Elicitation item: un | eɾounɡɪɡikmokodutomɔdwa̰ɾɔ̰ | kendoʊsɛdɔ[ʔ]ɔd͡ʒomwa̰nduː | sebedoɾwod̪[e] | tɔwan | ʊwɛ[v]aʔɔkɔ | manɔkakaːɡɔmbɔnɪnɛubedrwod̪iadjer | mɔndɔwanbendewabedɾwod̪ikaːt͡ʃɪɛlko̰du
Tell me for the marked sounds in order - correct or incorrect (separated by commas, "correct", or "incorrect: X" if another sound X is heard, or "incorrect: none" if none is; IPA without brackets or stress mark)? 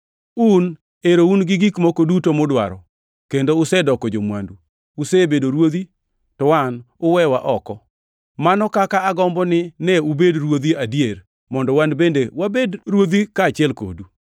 incorrect: k, incorrect: i, incorrect: w